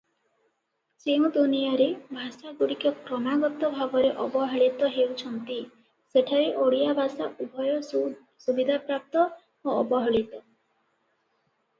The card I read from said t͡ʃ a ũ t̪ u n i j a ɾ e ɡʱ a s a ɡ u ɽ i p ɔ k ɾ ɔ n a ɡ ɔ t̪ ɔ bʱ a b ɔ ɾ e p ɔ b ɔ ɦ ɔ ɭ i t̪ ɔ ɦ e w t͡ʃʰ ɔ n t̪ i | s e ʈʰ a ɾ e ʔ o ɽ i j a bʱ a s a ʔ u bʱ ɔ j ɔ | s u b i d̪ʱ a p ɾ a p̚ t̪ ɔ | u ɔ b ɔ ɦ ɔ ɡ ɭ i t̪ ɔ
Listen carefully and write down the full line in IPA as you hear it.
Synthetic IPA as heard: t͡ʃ e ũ d̪ u n i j a ɾ e bʱ a s a ɡ u ɽ i k ɔ k ɾ ɔ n a ɡ ɔ t̪ ɔ bʱ a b ɔ ɾ e ʔ ɔ b ɔ ɦ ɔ ɭ i t̪ ɔ ɦ e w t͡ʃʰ ɔ n t̪ i | s e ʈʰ a ɾ e ʔ o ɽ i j a bʱ a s a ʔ u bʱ ɔ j ɔ | s u b i d̪ʱ a p ɾ a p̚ t̪ ɔ | o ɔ b ɔ ɦ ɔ ɭ i t̪ ɔ

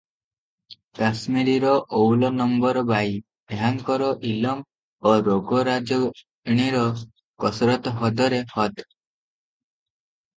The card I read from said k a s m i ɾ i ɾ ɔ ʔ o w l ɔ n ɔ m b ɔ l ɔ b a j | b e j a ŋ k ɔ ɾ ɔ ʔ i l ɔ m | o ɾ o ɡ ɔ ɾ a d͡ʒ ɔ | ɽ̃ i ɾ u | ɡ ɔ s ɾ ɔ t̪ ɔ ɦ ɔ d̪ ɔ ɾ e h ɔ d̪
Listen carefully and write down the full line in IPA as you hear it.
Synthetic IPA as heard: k a s m i ɾ i ɾ ɔ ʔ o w l ɔ n ɔ m b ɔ ɾ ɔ b a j | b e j a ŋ k ɔ ɾ ɔ ʔ i l ɔ m | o ɾ o ɡ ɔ ɾ a d͡ʒ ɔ | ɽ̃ i ɾ ɔ | k ɔ s ɾ ɔ t̪ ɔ ɦ ɔ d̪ ɔ ɾ e h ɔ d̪

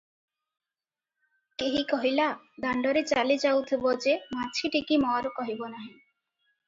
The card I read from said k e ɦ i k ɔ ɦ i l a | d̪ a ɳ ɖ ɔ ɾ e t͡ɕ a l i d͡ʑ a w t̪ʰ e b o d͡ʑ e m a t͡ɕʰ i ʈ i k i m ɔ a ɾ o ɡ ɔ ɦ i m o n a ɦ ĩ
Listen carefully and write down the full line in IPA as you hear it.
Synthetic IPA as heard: k e ɦ i k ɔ ɦ i l a | d̪ a ɳ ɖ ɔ ɾ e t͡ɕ a l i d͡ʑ a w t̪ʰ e b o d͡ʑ e m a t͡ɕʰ i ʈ i k i m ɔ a ɾ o k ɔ ɦ i b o n a ɦ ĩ

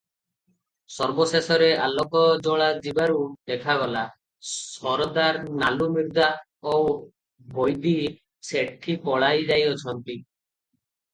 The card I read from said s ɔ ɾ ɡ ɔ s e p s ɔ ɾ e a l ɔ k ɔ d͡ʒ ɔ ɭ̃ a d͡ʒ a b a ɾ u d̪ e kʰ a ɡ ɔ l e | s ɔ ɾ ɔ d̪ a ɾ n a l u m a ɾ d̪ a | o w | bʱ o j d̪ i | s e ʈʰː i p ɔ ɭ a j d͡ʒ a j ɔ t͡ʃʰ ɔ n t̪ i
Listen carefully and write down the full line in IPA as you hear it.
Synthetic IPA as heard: s ɔ ɾ b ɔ s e s ɔ ɾ e a l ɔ k ɔ d͡ʒ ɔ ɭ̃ a d͡ʒ i b a ɾ u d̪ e kʰ a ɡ ɔ l a | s ɔ ɾ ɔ d̪ a ɾ n a l u m i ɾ d̪ a | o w | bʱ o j d̪ i | s e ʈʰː i p ɔ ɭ a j d͡ʒ a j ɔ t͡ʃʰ ɔ n t̪ i

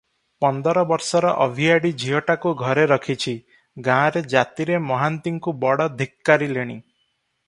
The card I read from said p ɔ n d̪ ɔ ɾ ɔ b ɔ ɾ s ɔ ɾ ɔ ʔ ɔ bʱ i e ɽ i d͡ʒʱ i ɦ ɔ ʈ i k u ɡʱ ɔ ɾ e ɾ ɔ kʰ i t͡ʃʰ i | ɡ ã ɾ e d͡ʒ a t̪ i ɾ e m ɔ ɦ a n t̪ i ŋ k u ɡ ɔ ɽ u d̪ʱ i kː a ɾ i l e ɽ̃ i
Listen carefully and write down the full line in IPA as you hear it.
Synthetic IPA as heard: p ɔ n d̪ ɔ ɾ ɔ b ɔ ɾ s ɔ ɾ ɔ ʔ ɔ bʱ i a ɽ i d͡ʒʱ i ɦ ɔ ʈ a k u ɡʱ ɔ ɾ e ɾ ɔ kʰ i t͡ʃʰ i | ɡ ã ɾ e d͡ʒ a t̪ i ɾ e m ɔ ɦ a n t̪ i ŋ k u b ɔ ɽ ɔ d̪ʱ i kː a ɾ i l e ɽ̃ i

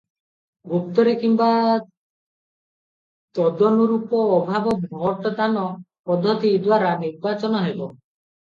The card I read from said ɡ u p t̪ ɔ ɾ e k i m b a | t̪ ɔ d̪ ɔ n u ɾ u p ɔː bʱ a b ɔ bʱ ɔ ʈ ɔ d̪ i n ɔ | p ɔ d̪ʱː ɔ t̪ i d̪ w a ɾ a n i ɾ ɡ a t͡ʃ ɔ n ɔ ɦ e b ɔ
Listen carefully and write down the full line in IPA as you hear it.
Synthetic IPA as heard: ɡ u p t̪ ɔ ɾ e k i m b a | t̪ ɔ d̪ ɔ n u ɾ u p ɔː bʱ a b ɔ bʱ ɔ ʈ ɔ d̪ a n ɔ | p ɔ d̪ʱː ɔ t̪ i d̪ w a ɾ a n i ɾ b a t͡ʃ ɔ n ɔ ɦ e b ɔ

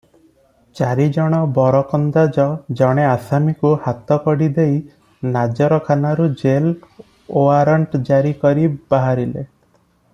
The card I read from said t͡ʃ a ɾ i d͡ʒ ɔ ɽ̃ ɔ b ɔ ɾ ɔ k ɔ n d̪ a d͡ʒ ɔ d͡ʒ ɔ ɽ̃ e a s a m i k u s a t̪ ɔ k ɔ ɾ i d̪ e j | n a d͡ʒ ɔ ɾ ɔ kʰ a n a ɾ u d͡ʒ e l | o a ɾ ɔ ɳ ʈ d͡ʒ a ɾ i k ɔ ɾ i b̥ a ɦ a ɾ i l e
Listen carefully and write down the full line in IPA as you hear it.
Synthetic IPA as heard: t͡ʃ a ɾ i d͡ʒ ɔ ɽ̃ ɔ b ɔ ɾ ɔ k ɔ n d̪ a d͡ʒ ɔ d͡ʒ ɔ ɽ̃ e a s a m i k u h a t̪ ɔ k ɔ ɽ i d̪ e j | n a d͡ʒ ɔ ɾ ɔ kʰ a n a ɾ u d͡ʒ e l | o a ɾ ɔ ɳ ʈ d͡ʒ a ɾ i k ɔ ɾ i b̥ a ɦ a ɾ i l e

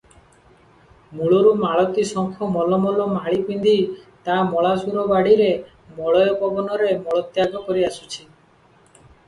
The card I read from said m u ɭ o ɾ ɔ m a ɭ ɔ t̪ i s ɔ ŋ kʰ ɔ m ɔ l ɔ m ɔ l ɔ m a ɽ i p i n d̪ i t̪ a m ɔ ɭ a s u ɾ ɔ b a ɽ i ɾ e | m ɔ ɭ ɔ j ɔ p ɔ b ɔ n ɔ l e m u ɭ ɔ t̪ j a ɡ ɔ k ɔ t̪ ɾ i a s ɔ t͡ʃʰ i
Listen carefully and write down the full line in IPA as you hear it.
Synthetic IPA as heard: m u ɭ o ɾ u m a ɭ ɔ t̪ i s ɔ ŋ kʰ ɔ m ɔ l ɔ m ɔ l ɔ m a ɭ i p i n d̪ i t̪ a m ɔ ɭ a s u ɾ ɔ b a ɽ i ɾ e | m ɔ ɭ ɔ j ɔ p ɔ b ɔ n ɔ ɾ e m ɔ ɭ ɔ t̪ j a ɡ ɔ k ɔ ɾ i a s u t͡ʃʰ i

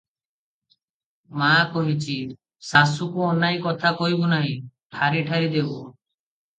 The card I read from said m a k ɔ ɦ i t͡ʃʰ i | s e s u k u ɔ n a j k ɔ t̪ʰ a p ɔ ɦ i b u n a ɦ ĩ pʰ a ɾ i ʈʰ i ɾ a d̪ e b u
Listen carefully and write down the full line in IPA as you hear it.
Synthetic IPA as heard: m a k ɔ ɦ i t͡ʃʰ i | s a s u k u ɔ n a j k ɔ t̪ʰ a k ɔ ɦ i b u n a ɦ ĩ ʈʰ a ɾ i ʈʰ a ɾ i d̪ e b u

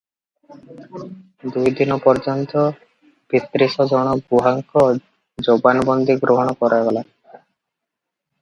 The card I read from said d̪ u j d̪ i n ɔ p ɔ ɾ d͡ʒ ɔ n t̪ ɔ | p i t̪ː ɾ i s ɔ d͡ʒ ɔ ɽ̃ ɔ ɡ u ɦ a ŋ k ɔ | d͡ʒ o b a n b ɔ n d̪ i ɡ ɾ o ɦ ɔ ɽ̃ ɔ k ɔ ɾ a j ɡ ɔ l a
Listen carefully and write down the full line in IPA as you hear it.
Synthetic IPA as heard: d̪ u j d̪ i n ɔ p ɔ ɾ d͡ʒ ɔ n t̪ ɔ | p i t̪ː ɾ i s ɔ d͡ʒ ɔ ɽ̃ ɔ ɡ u ɦ a ŋ k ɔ | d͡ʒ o b a n b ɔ n d̪ i ɡ ɾ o ɦ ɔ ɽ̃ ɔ k ɔ ɾ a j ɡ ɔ l a

